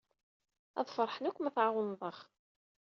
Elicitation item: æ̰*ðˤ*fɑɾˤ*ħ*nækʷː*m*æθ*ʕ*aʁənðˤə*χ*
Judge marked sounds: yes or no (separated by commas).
yes, yes, yes, yes, yes